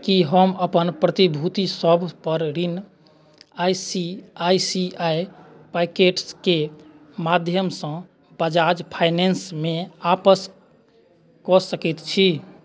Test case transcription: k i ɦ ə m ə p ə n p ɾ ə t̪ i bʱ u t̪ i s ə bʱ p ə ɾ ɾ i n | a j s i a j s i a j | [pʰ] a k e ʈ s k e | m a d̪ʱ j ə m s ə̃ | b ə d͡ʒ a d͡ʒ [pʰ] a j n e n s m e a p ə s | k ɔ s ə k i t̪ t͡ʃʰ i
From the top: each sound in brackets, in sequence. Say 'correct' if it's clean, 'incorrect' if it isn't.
incorrect: p, correct

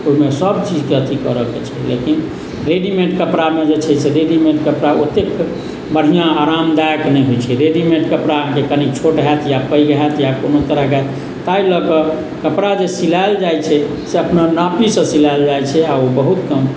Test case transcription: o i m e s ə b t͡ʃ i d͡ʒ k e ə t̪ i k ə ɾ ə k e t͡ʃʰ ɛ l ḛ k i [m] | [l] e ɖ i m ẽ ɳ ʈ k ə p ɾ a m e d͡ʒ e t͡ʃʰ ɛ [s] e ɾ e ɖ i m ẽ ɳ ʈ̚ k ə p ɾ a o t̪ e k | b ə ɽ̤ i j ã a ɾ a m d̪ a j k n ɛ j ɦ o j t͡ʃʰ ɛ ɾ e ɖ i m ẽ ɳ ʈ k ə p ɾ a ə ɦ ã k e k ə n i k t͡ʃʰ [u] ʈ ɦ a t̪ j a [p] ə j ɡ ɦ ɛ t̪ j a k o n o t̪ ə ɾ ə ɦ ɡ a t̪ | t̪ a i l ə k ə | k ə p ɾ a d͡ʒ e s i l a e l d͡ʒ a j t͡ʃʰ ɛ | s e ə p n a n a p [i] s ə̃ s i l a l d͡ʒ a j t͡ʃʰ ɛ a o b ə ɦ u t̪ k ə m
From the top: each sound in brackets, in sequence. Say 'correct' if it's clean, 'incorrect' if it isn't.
incorrect: n, incorrect: ɾ, correct, incorrect: o, correct, correct

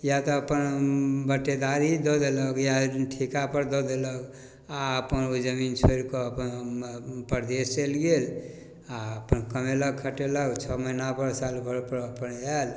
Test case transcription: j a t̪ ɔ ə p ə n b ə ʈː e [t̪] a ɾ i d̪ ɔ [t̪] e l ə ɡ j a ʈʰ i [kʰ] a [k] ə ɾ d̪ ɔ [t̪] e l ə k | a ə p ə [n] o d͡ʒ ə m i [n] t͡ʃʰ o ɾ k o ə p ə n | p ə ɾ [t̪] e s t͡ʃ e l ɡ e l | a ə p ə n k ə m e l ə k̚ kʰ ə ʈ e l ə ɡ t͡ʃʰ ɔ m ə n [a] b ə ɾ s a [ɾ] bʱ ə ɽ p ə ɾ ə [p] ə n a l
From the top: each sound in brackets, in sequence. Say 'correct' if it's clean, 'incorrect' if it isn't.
incorrect: d̪, incorrect: d̪, incorrect: k, incorrect: p, incorrect: d̪, correct, correct, incorrect: d̪, correct, incorrect: l, correct

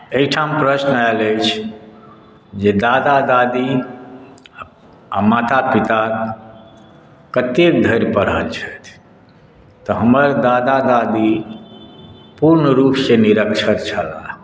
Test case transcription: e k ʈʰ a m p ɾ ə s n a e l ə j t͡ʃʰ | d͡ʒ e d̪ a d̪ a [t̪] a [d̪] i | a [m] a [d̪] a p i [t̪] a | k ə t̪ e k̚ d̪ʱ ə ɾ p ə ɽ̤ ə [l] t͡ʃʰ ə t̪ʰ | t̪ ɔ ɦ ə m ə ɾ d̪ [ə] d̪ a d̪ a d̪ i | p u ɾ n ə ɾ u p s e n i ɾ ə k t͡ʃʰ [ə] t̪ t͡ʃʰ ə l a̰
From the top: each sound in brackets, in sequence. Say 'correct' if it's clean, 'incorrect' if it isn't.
incorrect: d̪, correct, correct, incorrect: t̪, correct, correct, incorrect: a, correct

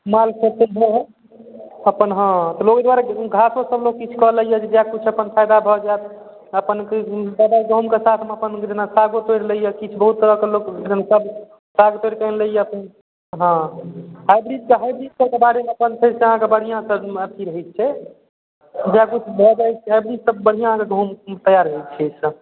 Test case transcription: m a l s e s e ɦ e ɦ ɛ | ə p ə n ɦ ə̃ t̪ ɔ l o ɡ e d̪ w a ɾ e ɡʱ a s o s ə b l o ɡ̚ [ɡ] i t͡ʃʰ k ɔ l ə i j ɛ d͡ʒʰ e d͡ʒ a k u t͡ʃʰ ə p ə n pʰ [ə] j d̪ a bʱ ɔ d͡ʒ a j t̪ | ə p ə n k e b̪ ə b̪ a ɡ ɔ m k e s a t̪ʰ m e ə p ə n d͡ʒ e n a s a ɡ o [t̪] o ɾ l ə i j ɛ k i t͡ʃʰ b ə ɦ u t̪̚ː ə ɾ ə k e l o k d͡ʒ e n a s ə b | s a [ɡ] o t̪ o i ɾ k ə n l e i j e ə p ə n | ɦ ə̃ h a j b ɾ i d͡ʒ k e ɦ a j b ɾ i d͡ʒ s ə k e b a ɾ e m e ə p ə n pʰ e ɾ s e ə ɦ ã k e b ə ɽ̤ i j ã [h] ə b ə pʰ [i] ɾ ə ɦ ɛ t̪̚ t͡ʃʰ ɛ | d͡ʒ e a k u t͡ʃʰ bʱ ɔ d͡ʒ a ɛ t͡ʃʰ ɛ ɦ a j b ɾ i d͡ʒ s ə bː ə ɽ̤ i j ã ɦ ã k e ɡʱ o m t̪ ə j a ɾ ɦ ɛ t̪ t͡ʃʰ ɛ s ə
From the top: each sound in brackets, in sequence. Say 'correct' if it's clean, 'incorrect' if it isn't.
incorrect: k, incorrect: a, correct, correct, incorrect: s, correct

